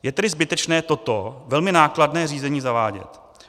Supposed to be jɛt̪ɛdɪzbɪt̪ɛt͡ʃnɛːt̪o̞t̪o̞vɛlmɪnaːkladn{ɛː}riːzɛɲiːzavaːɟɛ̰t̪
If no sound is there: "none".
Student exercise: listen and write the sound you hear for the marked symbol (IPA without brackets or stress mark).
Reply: ɛː